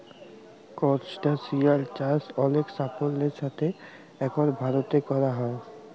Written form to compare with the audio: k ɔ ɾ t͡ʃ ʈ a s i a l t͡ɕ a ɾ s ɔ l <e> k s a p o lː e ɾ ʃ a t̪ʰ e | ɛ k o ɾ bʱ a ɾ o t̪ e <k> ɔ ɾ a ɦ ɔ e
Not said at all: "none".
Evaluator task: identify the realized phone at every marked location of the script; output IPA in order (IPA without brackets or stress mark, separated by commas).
e, k